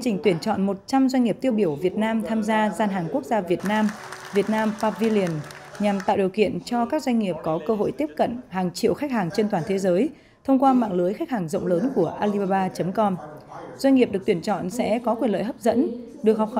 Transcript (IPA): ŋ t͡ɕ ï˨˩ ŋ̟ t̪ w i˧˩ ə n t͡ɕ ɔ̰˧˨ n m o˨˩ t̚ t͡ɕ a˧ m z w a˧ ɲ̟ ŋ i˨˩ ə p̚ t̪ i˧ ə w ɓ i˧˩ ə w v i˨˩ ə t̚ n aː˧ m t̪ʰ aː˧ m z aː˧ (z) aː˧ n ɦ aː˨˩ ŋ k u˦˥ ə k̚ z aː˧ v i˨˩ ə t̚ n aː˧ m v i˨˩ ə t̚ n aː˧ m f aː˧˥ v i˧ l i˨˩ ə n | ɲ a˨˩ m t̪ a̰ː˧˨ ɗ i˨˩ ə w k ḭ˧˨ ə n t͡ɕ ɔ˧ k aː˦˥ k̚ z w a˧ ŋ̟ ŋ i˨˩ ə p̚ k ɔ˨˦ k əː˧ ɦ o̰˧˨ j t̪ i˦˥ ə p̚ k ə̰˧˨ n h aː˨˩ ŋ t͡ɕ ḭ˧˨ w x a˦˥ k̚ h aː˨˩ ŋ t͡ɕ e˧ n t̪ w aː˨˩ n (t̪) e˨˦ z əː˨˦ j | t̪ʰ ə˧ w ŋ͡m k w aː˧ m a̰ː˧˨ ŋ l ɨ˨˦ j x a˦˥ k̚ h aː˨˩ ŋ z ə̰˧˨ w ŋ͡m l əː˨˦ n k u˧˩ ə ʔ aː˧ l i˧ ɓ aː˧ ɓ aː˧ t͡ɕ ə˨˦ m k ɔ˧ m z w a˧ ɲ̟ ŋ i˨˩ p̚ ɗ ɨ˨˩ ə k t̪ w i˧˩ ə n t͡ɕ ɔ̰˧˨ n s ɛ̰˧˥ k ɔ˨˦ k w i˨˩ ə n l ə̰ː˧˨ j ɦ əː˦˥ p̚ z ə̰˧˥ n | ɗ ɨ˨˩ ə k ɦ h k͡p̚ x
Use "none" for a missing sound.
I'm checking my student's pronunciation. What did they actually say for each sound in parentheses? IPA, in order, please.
z, t̪ʰ

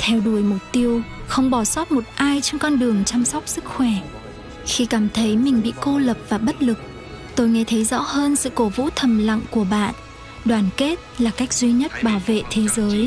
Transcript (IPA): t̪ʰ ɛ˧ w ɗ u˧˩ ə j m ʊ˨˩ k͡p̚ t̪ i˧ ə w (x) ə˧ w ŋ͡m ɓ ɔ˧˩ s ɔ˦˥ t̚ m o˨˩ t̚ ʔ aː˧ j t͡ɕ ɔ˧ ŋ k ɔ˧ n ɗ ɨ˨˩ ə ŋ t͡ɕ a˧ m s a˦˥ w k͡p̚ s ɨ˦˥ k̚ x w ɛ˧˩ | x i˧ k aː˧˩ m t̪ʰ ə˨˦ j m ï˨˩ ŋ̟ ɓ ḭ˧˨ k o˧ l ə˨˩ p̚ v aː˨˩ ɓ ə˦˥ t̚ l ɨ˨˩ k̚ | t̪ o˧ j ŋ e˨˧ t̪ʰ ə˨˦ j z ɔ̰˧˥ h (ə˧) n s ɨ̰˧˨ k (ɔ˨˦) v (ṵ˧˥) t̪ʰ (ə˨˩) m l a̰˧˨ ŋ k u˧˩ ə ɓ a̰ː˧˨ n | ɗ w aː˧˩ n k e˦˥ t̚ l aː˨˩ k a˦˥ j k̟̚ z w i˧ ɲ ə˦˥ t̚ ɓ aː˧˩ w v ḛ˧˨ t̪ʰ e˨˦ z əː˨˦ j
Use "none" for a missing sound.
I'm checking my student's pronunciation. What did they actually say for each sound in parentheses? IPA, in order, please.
x, əː˧, o˨˦, ṵ˧˥, ə˨˩

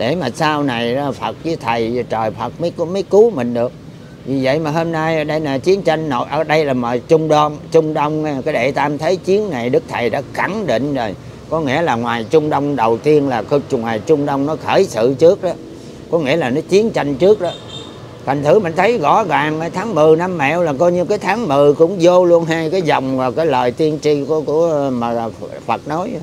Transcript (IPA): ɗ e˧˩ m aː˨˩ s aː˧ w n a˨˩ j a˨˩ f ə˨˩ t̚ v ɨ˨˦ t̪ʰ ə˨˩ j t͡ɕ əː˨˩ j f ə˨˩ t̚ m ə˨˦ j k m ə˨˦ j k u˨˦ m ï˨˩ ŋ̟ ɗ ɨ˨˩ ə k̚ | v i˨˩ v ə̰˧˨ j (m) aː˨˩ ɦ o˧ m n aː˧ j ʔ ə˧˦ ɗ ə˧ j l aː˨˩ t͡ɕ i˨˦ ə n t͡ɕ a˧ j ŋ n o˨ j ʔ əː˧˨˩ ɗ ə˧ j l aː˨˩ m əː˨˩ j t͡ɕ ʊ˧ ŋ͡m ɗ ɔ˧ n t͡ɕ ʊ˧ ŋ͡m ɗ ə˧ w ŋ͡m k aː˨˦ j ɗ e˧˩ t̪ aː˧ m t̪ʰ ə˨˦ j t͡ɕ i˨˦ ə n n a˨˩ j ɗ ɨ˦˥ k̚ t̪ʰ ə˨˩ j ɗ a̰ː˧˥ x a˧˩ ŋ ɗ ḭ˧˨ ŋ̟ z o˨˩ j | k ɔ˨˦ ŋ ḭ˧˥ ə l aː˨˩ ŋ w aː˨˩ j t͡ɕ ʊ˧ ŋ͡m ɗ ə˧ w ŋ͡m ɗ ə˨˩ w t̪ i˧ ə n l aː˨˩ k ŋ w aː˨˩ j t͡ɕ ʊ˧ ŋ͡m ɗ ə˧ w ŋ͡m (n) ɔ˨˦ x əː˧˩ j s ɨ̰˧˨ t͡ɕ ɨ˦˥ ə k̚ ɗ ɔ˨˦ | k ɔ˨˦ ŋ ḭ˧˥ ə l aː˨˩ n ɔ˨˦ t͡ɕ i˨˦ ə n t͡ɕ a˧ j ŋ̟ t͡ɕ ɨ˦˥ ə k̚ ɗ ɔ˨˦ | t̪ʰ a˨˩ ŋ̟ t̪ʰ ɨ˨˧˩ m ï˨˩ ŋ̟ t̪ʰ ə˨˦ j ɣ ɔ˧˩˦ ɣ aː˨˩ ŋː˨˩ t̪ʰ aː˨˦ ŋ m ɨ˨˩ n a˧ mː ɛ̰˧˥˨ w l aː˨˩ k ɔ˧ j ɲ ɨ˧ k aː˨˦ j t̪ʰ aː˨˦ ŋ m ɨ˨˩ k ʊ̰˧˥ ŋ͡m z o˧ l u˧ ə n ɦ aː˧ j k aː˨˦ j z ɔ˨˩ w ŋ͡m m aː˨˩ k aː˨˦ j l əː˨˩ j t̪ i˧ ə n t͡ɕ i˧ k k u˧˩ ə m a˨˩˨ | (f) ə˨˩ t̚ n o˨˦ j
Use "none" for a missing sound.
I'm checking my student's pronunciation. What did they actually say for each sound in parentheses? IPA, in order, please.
m, n, f

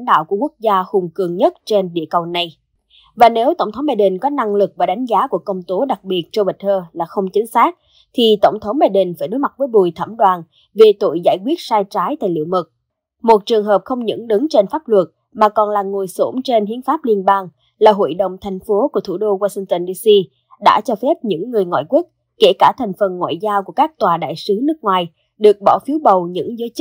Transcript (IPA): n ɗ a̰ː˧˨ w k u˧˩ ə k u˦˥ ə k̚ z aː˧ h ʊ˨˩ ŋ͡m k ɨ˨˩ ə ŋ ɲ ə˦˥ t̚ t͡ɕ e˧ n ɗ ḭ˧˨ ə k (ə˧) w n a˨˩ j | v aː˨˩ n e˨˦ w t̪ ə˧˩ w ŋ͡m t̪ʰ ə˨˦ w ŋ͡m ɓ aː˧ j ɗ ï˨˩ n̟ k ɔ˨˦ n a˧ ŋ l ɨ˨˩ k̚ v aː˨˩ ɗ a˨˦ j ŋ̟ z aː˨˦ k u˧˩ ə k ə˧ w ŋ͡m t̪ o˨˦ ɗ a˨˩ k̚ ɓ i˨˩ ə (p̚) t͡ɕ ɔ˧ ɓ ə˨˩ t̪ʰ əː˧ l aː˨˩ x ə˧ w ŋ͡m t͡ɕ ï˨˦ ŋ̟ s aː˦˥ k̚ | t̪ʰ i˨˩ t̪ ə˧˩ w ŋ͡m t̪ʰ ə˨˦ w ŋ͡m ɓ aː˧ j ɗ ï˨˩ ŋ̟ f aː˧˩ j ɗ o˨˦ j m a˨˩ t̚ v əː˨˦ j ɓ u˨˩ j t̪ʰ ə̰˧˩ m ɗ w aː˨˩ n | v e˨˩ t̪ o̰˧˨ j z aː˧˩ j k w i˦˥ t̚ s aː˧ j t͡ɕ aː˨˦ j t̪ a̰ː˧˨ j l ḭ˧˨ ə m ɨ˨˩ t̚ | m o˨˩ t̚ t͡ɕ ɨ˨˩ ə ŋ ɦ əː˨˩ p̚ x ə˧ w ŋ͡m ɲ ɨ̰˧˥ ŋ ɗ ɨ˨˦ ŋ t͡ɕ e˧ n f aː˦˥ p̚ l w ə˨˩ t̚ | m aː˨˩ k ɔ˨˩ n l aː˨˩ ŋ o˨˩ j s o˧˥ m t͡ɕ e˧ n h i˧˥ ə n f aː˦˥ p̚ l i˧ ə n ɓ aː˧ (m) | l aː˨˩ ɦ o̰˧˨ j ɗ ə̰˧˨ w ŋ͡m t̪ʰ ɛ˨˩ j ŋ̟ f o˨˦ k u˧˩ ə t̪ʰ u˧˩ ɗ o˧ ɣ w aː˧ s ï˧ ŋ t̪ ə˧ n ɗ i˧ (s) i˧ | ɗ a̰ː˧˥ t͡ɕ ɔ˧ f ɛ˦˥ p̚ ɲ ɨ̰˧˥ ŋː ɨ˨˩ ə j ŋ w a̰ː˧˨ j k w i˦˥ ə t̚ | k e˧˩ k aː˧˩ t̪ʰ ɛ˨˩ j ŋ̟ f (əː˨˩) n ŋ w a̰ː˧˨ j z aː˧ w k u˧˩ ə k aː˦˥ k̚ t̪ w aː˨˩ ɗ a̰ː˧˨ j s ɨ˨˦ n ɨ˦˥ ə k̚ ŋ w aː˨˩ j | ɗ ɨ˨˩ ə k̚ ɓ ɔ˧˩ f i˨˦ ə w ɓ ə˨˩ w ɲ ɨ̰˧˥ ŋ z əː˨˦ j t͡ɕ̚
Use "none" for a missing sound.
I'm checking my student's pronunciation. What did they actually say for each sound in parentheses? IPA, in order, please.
ə˨˩, t̚, ŋ, s, ə˨˩

